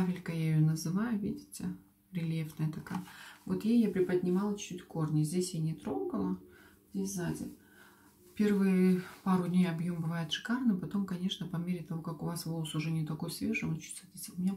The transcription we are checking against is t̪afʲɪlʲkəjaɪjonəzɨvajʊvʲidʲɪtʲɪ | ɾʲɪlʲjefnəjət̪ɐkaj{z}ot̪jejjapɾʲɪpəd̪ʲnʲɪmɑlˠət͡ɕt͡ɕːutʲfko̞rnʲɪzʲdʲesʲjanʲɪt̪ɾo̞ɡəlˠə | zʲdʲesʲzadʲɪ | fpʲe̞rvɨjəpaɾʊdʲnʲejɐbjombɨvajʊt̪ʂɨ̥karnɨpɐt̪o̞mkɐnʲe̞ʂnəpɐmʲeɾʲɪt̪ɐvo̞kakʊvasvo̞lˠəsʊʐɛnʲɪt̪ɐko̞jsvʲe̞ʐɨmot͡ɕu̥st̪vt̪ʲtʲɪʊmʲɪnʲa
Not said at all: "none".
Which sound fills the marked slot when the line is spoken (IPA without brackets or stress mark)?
v